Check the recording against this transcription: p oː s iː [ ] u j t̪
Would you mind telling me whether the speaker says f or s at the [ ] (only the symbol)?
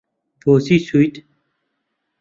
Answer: s